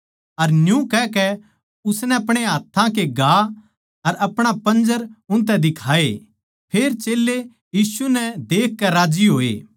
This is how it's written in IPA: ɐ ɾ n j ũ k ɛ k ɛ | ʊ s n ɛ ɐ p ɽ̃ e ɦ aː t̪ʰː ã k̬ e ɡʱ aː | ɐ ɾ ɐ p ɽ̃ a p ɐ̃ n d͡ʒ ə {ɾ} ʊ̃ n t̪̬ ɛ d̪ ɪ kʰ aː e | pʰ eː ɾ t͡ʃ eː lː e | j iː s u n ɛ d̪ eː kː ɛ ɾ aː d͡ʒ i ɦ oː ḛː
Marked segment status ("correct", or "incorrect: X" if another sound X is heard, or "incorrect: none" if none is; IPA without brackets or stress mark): correct